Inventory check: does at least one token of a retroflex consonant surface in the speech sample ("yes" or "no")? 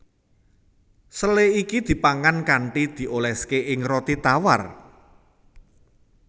yes